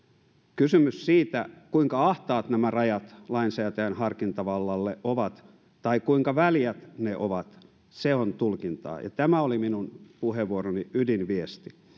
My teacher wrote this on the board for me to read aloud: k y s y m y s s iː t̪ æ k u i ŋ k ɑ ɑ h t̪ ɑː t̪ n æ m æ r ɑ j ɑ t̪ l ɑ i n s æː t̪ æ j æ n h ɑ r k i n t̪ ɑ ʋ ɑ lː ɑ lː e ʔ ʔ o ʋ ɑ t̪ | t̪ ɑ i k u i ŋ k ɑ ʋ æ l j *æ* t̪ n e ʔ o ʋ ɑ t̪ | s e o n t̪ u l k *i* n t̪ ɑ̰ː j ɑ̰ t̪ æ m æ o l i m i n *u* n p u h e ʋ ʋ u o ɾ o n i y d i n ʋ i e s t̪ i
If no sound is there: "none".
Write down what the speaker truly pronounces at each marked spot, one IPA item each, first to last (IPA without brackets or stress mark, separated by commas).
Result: æ, i, u